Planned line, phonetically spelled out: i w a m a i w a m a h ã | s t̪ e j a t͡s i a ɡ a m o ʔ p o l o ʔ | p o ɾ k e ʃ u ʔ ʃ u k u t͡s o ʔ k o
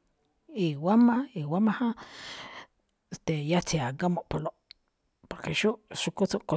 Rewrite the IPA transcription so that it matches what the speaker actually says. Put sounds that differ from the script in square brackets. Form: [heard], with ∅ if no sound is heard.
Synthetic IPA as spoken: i w a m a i w a m a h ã | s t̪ e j a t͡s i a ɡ a m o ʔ p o l o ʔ | p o ɾ k e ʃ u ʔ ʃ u k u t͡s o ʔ k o